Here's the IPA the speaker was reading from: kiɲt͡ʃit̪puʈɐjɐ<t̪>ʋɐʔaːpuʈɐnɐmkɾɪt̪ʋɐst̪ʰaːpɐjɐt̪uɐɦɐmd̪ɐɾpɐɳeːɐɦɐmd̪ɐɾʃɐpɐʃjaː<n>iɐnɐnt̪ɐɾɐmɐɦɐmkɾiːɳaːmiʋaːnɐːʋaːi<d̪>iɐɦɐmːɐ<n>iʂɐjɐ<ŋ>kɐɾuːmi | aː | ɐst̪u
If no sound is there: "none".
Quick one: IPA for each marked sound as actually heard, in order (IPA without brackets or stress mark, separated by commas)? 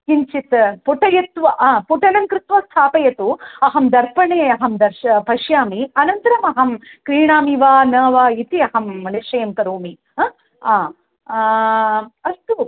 t̪, m, t̪, n, m